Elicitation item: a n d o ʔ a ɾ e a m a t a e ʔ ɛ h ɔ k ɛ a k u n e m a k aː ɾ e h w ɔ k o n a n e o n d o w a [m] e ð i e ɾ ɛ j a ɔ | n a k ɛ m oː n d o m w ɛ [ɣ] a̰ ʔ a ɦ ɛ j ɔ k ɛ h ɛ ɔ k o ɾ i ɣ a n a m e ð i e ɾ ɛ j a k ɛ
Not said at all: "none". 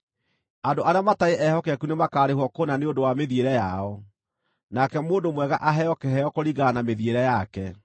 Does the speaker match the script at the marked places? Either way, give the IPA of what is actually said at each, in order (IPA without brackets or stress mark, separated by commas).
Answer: m, ɣ